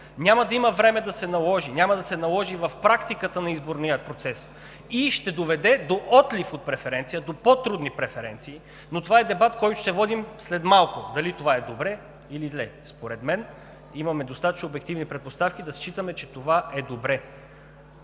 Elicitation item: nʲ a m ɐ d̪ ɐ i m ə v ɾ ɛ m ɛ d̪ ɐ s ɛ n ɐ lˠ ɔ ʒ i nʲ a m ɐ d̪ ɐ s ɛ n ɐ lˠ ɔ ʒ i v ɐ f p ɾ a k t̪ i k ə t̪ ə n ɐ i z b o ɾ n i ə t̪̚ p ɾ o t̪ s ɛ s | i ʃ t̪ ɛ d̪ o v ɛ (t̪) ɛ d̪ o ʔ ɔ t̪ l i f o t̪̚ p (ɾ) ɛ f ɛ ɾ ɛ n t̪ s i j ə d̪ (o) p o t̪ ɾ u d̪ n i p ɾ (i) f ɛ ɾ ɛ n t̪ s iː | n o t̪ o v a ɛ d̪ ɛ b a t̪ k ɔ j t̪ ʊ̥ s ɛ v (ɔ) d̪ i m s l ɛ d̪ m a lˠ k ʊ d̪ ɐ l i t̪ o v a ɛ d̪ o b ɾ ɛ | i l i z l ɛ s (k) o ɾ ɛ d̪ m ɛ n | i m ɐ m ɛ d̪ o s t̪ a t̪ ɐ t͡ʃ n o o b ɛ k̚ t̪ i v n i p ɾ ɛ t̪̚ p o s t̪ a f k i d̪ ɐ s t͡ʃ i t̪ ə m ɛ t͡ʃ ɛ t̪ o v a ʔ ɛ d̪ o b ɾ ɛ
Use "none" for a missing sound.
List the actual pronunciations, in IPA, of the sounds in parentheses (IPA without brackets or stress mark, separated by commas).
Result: d̪, ɾ, o, ɛ, ɔ, p